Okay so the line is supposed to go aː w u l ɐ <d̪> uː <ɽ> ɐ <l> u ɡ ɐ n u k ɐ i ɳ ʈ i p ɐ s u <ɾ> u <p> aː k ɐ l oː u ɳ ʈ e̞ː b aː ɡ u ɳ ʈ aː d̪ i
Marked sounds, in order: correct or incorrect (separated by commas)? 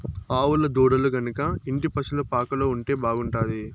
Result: correct, correct, correct, incorrect, correct